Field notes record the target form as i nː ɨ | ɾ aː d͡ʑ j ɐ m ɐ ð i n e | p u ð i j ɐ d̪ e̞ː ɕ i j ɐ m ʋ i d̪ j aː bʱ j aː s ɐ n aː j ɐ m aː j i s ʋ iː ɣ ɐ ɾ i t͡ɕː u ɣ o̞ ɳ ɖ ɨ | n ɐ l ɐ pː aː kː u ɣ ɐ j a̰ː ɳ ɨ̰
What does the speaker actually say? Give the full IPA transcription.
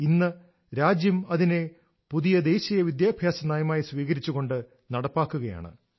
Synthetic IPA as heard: i nː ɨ | ɾ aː d͡ʑ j ɐ m ɐ ð i n e | p u ð i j ɐ d̪ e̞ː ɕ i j ɐ ʋ i d̪ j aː bʱ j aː s ɐ n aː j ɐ m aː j i s ʋ iː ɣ ɐ ɾ i t͡ɕː u ɣ o̞ ɳ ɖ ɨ | n ɐ ɽ ɐ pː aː kː u ɣ ɐ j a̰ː ɳ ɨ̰